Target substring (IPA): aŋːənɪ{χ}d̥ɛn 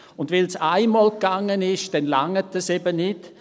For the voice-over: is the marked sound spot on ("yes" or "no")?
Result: no